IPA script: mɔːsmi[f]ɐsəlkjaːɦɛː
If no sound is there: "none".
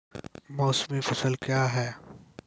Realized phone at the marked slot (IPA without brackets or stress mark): f